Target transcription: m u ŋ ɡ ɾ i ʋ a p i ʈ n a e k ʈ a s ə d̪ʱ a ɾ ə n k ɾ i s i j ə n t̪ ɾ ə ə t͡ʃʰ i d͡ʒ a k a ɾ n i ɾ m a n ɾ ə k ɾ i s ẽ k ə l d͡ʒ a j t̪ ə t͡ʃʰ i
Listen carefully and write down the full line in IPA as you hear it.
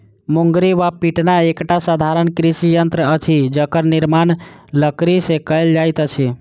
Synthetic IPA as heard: m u ŋ ɡ ɾ i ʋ a p i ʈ n a e k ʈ a s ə d̪ʱ a ɾ ə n k ɾ i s i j ə n t̪ ɾ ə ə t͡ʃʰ i d͡ʒ ə k ə ɾ n i ɾ m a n l ə k ɾ i s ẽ k ə l d͡ʒ a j t̪ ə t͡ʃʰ i